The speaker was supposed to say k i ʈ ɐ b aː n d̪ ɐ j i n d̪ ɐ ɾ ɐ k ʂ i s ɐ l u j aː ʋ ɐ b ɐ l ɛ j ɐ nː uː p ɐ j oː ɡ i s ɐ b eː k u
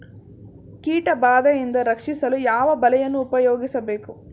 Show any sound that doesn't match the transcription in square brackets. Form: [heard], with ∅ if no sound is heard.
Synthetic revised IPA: k [iː] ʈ ɐ b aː [∅] d̪ ɐ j i n d̪ ɐ ɾ ɐ k ʂ i s ɐ l u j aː ʋ ɐ b ɐ l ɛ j ɐ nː uː p ɐ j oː ɡ i s ɐ b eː k u